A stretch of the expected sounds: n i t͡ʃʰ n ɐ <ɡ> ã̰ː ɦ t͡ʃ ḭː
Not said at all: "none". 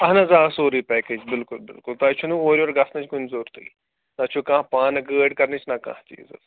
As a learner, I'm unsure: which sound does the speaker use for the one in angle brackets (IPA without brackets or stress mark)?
k